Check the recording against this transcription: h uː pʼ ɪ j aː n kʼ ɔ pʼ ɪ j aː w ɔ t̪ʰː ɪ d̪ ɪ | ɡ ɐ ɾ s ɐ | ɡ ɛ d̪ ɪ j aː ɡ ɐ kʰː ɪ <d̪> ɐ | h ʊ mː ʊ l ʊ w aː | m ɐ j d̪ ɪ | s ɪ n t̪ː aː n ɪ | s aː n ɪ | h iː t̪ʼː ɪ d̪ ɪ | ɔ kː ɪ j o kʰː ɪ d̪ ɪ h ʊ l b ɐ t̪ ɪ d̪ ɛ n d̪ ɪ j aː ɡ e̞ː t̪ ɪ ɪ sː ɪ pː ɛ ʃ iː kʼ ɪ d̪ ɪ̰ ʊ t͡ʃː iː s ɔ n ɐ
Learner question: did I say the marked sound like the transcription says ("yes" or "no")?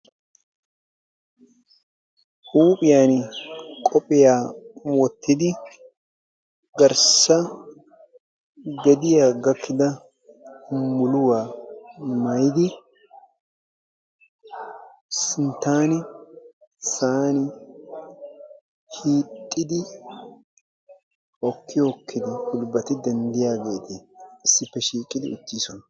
yes